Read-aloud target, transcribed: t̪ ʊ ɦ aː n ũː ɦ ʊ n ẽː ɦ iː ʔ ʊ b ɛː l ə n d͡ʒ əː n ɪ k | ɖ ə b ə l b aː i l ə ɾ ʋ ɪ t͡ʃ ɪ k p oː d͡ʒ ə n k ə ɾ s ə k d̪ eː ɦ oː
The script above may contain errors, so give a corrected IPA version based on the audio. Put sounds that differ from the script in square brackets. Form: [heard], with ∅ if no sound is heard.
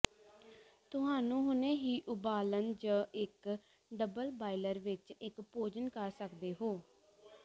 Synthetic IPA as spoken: t̪ ʊ ɦ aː n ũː ɦ ʊ n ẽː ɦ iː ʔ ʊ b [aː] l ə n d͡ʒ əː [∅] ɪ k | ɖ ə b ə l b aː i l ə ɾ ʋ ɪ t͡ʃ ɪ k p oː d͡ʒ ə n k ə ɾ s ə k d̪ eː ɦ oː